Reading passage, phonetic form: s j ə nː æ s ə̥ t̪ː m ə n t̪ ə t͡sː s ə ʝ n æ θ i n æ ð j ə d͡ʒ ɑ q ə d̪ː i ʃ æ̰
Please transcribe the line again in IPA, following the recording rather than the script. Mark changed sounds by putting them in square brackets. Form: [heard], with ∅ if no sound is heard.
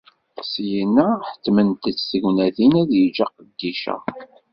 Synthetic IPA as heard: s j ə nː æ [ħ] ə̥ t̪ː m ə n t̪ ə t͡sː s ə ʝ n æ θ i n æ ð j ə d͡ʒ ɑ q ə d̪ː i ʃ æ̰